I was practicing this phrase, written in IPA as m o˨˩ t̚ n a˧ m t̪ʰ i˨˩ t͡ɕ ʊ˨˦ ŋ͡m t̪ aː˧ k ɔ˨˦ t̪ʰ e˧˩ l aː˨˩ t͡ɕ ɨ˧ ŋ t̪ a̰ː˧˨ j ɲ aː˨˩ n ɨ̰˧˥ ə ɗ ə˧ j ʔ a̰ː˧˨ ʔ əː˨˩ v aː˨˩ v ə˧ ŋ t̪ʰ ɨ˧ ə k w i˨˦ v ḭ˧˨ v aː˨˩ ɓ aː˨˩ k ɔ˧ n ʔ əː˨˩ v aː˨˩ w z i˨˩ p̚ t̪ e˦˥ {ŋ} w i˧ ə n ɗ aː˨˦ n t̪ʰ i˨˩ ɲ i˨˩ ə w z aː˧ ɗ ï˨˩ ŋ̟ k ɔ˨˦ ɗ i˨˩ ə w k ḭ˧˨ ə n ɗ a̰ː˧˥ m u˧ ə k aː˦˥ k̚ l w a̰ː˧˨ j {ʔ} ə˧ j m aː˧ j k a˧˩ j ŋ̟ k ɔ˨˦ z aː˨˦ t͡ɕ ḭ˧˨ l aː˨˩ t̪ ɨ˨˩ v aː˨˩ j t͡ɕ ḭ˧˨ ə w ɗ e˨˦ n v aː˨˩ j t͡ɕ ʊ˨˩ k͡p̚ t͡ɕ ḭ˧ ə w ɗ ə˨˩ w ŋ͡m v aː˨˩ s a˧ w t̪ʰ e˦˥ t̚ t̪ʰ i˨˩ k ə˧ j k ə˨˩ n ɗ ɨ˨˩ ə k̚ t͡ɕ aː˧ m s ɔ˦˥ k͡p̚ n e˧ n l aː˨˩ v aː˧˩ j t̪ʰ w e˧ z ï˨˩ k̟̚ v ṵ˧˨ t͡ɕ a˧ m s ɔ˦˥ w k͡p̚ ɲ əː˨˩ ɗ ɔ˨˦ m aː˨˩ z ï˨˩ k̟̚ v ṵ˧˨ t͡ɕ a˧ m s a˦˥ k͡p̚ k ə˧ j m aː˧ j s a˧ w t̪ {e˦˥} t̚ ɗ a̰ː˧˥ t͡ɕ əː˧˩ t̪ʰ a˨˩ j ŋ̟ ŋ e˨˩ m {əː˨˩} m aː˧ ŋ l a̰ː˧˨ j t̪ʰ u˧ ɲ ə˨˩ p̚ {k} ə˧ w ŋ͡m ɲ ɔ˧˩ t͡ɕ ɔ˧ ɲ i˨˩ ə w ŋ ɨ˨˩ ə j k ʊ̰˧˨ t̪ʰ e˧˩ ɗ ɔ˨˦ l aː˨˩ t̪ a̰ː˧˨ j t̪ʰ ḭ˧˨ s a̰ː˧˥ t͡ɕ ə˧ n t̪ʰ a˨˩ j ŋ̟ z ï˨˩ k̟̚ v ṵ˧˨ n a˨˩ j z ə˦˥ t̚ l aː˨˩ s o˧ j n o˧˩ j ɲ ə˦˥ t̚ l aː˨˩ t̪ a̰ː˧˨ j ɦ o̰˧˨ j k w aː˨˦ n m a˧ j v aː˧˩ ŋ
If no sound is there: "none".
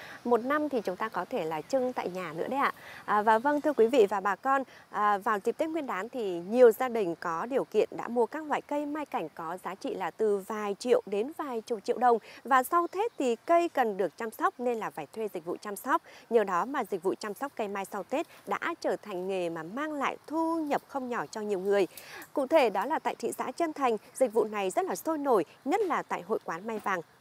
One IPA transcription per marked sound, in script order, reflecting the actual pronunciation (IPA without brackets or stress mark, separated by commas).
ŋ, k, e˦˥, aː˨˩, x